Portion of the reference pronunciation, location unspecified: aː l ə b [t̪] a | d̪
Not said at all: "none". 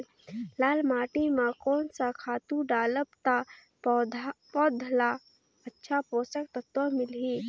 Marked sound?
t̪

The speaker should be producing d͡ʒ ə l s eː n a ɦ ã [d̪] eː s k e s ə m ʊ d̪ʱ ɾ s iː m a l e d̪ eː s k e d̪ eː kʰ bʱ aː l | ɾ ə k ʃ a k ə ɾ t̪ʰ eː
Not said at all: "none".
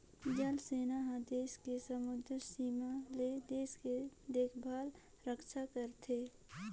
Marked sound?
d̪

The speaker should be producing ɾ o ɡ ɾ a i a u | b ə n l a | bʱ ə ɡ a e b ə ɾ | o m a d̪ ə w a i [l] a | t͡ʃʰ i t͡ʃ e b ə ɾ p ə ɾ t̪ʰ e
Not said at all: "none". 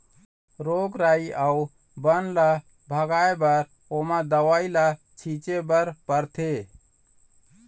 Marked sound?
l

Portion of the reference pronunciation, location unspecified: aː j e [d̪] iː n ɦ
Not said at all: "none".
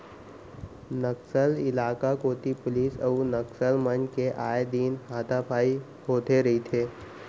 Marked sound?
d̪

